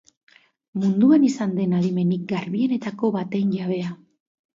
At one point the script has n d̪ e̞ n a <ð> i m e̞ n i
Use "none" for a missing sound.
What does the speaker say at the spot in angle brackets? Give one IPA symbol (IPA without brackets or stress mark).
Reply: ð